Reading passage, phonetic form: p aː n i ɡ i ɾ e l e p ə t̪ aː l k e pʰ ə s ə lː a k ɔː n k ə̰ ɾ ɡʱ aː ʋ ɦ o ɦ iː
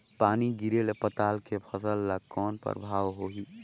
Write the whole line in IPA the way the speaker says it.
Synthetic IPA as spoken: p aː n i ɡ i ɾ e l e p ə t̪ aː l k e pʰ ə s ə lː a k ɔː n p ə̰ ɾ bʱ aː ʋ ɦ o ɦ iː